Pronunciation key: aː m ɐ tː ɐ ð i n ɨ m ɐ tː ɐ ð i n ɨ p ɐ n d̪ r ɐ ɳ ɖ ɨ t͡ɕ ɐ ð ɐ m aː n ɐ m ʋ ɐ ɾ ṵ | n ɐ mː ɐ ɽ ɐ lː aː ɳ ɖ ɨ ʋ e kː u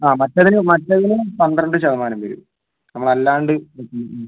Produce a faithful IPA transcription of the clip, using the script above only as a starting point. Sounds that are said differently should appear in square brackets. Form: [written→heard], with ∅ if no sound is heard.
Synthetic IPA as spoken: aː m ɐ tː ɐ ð i n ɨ m ɐ tː ɐ ð i n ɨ p ɐ n d̪ r ɐ ɳ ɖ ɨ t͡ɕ ɐ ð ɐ m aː n ɐ m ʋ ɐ ɾ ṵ | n ɐ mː ɐ [ɽ→ɭ] ɐ lː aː ɳ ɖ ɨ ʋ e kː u